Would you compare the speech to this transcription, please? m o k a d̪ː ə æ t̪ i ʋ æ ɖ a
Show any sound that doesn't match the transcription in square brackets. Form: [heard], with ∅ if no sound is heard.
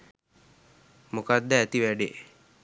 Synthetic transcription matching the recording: m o k a d̪ː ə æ t̪ i ʋ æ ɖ [e]